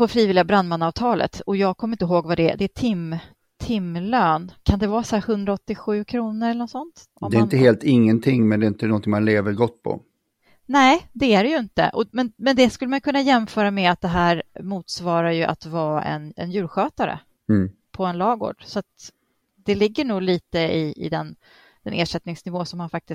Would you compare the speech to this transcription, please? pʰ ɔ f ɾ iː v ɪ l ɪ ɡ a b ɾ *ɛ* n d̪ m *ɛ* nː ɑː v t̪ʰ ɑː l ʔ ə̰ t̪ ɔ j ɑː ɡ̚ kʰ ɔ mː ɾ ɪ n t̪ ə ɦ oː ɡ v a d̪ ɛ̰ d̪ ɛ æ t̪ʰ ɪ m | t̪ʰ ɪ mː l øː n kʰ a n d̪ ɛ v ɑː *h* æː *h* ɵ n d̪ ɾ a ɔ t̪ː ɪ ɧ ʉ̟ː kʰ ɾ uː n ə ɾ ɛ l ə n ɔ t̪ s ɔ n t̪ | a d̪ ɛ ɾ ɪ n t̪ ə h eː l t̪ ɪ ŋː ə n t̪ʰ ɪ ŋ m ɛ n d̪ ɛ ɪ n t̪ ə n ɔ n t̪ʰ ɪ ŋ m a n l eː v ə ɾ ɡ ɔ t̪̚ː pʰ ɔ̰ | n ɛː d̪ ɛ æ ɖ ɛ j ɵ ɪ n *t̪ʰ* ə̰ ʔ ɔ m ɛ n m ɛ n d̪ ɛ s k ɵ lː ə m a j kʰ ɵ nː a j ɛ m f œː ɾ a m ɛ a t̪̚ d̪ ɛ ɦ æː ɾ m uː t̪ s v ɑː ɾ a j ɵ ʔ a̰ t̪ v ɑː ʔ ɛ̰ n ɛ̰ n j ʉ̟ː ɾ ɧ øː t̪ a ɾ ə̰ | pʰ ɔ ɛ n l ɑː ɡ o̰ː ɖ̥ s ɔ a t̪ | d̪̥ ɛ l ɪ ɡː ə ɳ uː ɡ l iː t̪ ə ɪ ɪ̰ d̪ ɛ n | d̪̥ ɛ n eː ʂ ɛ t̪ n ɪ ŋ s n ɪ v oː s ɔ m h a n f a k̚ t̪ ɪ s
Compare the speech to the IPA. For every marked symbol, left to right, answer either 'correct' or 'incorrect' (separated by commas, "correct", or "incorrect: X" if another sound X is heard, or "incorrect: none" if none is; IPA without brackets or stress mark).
incorrect: a, incorrect: a, incorrect: s, correct, incorrect: t̪